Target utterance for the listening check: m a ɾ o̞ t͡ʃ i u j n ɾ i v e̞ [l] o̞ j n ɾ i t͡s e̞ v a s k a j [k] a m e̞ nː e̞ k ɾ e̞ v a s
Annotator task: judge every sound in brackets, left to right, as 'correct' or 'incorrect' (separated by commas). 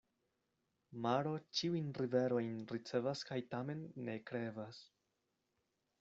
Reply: incorrect, incorrect